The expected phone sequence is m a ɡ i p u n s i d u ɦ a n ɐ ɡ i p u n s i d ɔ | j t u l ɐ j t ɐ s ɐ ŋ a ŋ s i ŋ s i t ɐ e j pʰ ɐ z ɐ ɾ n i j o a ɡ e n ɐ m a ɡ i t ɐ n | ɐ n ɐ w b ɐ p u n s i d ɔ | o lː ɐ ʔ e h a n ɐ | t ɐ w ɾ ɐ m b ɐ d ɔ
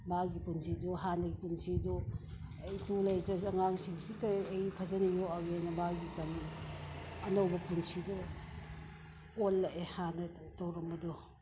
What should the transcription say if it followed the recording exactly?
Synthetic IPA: m a ɡ i p u n s i d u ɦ a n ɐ ɡ i p u n s i d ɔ | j t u l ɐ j t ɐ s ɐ ŋ a ŋ s i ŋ s i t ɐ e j pʰ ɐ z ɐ n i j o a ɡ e n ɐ m a ɡ i t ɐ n | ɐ n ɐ w b ɐ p u n s i d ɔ | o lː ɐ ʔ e h a n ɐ | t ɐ w ɾ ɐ m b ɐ d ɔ